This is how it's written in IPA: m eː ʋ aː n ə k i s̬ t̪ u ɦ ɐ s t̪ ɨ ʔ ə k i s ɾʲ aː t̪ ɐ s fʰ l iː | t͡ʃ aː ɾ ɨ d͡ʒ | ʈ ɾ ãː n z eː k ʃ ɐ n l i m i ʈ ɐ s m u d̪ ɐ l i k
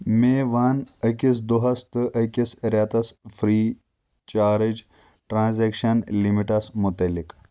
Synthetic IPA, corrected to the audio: m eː ʋ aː n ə k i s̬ d̪ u ɦ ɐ s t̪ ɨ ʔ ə k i s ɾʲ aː t̪ ɐ s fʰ ɾ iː | t͡ʃ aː ɾ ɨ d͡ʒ | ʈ ɾ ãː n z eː k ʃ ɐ n l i m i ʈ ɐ s m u t̪ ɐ l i k